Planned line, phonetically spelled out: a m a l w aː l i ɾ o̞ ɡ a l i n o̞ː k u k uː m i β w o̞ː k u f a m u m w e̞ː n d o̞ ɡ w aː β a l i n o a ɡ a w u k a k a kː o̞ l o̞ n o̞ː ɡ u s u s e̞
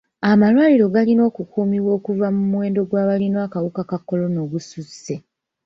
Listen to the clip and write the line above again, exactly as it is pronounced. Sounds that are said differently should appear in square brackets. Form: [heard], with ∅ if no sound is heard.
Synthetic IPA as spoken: a m a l w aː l i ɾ o̞ ɡ a l i n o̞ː k u k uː m i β w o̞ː k u [v] a m u m w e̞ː n d o̞ ɡ w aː β a l i n o a [k] a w u k a k a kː o̞ l o̞ n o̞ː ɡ u s u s e̞